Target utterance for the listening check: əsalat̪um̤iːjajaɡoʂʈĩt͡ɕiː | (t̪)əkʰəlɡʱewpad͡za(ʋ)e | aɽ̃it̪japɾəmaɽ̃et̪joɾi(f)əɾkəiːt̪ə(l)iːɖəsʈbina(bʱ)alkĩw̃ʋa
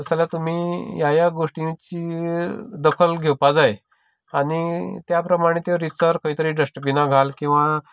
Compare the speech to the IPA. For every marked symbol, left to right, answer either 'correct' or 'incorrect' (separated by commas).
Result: incorrect, incorrect, incorrect, incorrect, incorrect